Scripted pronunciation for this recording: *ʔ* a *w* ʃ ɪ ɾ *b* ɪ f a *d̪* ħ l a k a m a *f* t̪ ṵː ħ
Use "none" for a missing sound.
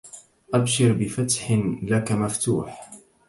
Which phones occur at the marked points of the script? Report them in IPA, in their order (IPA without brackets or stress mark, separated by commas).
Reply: ʔ, b, b, t̪, f